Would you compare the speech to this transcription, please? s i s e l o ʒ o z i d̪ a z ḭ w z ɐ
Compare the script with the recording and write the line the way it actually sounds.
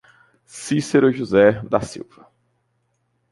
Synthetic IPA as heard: s i s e ɾ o ʒ u z ɛ d̪ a s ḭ w v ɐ